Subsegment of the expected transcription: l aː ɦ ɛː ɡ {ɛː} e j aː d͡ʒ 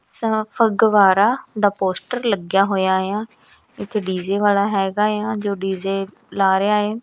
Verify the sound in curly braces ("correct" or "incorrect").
incorrect